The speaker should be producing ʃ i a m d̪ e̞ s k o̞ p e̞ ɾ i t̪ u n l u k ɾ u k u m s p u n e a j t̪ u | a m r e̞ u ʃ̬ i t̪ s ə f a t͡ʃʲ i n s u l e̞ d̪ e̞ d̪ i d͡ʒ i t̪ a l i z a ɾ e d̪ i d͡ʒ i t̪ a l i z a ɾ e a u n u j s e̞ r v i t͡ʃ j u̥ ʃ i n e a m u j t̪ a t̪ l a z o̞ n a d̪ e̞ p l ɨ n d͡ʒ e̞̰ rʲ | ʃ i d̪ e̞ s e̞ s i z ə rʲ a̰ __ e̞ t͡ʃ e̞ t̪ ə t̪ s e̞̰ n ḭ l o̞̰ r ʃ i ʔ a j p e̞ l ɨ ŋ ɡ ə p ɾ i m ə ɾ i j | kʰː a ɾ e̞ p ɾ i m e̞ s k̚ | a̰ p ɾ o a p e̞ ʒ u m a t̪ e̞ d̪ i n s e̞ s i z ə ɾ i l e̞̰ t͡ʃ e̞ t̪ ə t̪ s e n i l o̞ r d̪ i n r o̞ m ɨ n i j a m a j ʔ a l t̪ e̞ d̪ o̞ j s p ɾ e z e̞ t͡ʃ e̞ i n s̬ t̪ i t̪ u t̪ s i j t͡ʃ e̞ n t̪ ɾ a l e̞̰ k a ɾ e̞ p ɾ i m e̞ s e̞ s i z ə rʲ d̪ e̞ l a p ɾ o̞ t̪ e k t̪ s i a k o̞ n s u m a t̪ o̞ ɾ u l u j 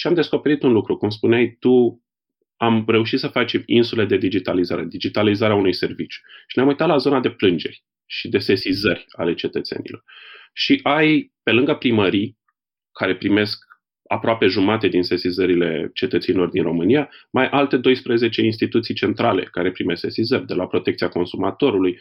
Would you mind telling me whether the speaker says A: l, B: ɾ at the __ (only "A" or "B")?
A